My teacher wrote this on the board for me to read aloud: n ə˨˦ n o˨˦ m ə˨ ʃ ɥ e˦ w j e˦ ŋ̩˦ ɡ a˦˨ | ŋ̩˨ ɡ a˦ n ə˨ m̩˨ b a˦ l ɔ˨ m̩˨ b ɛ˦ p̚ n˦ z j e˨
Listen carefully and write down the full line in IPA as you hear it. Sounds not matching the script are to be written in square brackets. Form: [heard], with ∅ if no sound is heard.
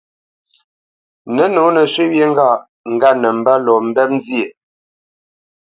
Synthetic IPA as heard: n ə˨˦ n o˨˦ [n] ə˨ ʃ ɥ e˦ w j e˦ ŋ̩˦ ɡ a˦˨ | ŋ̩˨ ɡ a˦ n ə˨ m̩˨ b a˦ l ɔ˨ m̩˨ b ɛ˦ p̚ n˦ z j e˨

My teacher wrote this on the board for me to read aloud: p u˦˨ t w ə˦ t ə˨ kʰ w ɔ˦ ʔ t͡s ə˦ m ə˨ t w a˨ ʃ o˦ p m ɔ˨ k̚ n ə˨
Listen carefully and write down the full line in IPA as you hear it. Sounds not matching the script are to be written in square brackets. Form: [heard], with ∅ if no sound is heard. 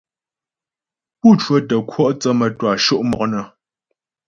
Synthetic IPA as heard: p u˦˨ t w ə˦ t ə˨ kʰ w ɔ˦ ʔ t͡s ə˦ m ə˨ t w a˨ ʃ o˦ [ʔ] m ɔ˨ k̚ n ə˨

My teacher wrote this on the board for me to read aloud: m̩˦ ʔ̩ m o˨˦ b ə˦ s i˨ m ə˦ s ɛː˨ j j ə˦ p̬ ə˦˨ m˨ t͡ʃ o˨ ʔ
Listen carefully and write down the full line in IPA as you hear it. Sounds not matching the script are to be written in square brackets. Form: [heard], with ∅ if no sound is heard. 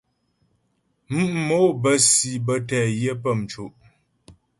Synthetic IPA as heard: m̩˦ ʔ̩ m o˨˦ b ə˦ s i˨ [b] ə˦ [t] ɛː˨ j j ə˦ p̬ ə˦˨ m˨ t͡ʃ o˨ ʔ

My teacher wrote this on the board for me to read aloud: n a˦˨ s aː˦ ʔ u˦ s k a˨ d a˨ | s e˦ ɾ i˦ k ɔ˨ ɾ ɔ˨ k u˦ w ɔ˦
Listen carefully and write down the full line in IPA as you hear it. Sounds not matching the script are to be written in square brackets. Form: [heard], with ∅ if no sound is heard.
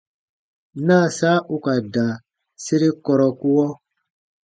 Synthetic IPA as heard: n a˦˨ s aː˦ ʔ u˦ [∅] k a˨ d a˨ | s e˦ ɾ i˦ k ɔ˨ ɾ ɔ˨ k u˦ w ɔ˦

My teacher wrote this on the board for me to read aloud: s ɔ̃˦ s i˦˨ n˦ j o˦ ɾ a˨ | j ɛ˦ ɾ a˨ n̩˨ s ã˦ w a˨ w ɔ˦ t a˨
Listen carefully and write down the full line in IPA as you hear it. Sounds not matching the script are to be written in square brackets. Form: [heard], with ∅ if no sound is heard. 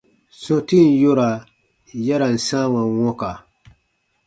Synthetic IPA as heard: s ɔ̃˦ [t] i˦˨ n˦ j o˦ ɾ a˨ | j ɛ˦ ɾ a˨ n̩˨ s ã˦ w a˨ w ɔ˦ [k] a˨

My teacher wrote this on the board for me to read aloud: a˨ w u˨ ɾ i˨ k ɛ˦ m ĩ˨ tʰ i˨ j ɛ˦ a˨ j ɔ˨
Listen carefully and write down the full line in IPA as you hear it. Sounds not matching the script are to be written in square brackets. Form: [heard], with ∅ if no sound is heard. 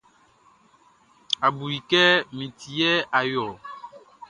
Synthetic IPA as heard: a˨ [b] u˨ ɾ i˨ k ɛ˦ m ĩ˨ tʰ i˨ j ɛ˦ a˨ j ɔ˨

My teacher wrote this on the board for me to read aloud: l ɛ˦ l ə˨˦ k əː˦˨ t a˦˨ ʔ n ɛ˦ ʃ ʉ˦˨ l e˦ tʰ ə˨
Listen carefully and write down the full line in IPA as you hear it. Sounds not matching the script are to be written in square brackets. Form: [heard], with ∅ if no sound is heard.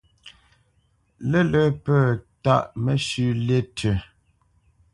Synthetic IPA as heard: l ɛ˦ l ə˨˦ [p] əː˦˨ t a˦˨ ʔ [m] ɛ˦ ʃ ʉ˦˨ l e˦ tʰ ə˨

